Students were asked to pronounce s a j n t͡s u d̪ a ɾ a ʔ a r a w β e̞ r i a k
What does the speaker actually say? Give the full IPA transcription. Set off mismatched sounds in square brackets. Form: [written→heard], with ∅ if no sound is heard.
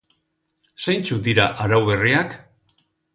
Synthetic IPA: s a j n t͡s u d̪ [a→i] ɾ a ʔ a [r→ɾ] a w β e̞ r i a k